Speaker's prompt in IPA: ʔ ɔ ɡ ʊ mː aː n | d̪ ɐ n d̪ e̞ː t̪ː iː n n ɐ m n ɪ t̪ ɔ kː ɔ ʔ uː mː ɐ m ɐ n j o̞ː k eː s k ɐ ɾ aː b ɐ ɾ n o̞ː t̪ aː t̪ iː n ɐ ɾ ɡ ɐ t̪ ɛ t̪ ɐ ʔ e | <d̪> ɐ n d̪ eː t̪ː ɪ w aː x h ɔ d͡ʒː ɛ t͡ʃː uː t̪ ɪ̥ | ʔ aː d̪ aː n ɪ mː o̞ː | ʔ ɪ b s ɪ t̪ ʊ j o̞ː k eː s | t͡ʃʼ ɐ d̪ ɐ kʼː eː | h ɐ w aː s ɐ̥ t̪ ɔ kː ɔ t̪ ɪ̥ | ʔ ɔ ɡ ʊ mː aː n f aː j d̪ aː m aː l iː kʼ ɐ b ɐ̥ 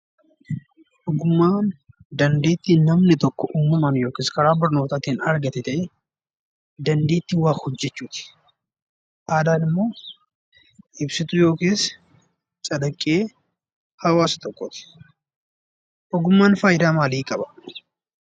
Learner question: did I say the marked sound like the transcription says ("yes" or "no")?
yes